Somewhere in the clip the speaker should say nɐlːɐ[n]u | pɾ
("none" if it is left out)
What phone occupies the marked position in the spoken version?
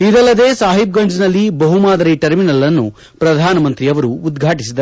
nː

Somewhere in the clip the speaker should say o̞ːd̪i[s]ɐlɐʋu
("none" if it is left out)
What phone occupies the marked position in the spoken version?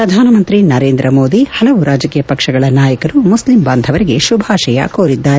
h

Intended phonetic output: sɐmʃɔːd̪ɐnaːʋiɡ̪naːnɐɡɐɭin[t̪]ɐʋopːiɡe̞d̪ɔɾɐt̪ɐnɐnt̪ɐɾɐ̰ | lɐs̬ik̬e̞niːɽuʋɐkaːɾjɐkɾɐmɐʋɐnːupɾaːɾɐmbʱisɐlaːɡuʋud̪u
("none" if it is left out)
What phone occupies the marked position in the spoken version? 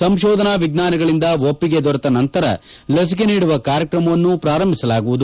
d̪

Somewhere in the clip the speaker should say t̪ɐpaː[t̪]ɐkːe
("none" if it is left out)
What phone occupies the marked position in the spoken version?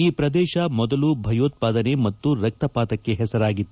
t̪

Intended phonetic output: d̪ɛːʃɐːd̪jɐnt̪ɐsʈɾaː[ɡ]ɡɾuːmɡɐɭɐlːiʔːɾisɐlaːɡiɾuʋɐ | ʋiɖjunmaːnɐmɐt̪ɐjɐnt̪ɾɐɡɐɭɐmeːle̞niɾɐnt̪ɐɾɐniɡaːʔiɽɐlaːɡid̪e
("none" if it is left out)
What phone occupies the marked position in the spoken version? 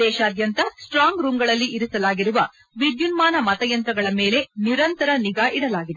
ŋ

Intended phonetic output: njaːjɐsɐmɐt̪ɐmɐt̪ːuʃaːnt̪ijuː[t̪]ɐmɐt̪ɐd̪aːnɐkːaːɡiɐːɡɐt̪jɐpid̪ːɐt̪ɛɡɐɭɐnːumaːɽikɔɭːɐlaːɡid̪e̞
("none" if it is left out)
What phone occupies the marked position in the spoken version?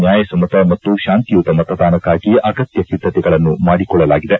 t̪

